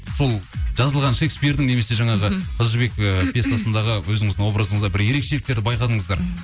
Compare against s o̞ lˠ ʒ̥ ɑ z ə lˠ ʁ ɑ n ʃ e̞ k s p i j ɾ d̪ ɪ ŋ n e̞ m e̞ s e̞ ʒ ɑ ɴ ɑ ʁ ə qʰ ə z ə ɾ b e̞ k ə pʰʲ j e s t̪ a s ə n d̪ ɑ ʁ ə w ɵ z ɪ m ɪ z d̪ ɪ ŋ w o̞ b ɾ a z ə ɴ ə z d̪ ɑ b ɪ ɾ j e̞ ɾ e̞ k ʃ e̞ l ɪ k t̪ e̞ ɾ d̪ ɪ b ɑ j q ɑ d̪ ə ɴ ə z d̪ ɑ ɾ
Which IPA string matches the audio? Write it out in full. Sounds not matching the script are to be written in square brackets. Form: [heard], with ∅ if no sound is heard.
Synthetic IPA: s o̞ lˠ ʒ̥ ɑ z ə lˠ ʁ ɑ n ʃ e̞ k s p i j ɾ d̪ ɪ ŋ n e̞ m e̞ s e̞ ʒ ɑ ɴ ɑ ʁ ə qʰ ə z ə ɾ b e̞ k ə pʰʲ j e s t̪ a s ə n d̪ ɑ ʁ ə w ɵ z ɪ [ŋ] ɪ z d̪ ɪ ŋ w o̞ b ɾ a z ə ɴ ə z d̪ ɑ b ɪ ɾ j e̞ ɾ e̞ k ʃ e̞ l ɪ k t̪ e̞ ɾ d̪ ɪ b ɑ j q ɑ d̪ ə ɴ ə z d̪ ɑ ɾ